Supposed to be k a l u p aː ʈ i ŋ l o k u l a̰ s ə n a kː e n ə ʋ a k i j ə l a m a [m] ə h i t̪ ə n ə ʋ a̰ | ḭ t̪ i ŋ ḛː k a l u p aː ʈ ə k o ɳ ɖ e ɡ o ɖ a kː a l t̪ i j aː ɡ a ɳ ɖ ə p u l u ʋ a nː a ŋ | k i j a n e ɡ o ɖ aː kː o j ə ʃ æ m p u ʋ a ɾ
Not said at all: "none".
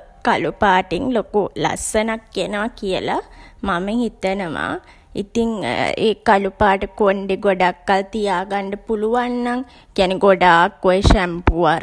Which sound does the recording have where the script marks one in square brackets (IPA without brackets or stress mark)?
m